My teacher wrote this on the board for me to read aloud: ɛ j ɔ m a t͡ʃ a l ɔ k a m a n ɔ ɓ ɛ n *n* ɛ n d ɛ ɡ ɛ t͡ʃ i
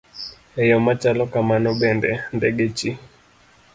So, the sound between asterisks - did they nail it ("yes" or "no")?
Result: no